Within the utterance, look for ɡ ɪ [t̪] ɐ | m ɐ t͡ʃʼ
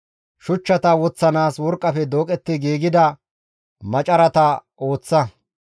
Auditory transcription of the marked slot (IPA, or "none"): d̪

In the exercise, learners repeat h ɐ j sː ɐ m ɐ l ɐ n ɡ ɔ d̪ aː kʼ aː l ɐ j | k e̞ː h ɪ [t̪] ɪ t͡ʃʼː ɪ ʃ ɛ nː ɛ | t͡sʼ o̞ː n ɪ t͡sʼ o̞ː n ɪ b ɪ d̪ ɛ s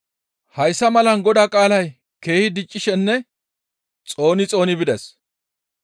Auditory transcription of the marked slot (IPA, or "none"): d̪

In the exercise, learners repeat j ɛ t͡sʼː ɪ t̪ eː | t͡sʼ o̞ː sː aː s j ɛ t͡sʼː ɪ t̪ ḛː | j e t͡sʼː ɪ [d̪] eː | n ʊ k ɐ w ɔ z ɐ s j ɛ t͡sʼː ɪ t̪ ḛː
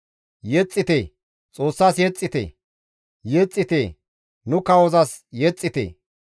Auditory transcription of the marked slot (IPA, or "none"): t̪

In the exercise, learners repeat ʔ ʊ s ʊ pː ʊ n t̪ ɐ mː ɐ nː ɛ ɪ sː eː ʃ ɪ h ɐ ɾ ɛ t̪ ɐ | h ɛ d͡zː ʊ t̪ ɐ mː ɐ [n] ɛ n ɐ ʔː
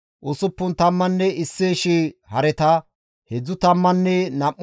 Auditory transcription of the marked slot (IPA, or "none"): nː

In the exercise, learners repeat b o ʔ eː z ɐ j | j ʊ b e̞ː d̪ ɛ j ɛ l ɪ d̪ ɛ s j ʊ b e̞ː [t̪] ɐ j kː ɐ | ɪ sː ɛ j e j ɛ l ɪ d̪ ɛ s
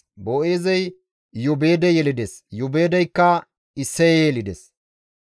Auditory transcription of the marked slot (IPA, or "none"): d̪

